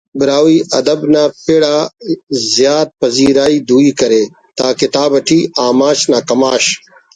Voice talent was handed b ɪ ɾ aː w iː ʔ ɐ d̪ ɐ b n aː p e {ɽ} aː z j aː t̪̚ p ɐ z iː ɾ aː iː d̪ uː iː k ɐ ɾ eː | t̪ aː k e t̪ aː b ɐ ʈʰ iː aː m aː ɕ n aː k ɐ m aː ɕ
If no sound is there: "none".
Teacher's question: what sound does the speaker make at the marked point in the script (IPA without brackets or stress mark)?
ɽ